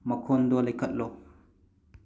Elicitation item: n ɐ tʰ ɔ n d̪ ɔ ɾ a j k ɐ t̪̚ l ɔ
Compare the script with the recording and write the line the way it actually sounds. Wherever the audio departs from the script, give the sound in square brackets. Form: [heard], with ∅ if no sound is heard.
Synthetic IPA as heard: [m] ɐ [kʰ] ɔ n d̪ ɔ [l] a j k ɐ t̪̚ l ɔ

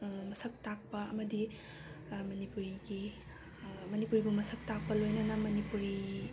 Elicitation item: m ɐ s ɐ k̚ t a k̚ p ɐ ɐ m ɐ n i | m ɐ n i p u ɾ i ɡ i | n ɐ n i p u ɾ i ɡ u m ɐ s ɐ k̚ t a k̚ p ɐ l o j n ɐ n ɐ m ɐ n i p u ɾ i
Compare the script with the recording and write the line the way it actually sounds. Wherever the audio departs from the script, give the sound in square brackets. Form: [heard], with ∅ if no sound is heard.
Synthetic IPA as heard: m ɐ s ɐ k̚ t a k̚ p ɐ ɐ m ɐ [d] i | m ɐ n i p u ɾ i ɡ i | [m] ɐ n i p u ɾ i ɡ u m ɐ s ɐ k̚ t a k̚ p ɐ l o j n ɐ n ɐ m ɐ n i p u ɾ i

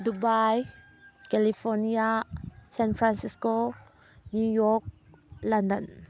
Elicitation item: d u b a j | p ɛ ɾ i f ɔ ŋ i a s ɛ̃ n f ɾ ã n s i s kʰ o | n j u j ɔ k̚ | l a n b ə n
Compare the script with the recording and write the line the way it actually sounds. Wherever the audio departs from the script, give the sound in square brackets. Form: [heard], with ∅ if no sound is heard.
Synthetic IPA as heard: d u b a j | [k] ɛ [l] i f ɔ [n] i a s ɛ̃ n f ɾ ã n s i s [k] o | n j u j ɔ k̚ | l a n [d] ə n

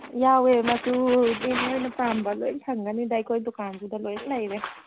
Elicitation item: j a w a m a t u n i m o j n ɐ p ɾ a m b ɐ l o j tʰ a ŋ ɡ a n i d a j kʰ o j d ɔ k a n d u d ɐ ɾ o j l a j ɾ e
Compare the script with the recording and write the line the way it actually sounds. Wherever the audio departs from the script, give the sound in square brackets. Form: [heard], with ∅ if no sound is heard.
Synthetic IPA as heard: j a w [e] m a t u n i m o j n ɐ p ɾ a m b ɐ l o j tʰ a ŋ ɡ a n i d a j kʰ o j d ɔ k a n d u d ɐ [l] o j l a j ɾ e

